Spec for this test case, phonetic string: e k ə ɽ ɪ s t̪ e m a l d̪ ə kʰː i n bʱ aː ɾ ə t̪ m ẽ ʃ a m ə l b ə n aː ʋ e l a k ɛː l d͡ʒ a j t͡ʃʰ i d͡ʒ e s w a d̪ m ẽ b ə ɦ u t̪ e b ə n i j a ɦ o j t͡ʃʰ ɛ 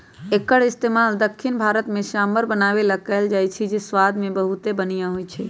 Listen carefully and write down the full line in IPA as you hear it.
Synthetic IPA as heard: e k ə ɽ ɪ s t̪ e m a l d̪ ə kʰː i n bʱ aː ɾ ə t̪ m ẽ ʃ a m ə ɾ b ə n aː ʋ e l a k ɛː l d͡ʒ a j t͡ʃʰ i d͡ʒ e s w a d̪ m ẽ b ə ɦ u t̪ e b ə n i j a ɦ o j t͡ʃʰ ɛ